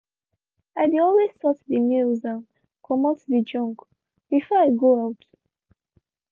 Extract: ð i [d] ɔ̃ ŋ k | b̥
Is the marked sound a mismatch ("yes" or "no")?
yes